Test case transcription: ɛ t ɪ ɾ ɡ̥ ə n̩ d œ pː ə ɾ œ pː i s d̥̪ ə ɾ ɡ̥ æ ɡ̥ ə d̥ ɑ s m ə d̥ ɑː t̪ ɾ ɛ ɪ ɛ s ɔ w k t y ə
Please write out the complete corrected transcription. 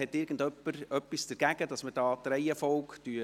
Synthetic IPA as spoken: ɛ t ɪ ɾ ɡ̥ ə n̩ d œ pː ə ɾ œ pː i s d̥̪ ə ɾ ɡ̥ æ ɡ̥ ə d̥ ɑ s m ə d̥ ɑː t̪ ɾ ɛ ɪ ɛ f ɔ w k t y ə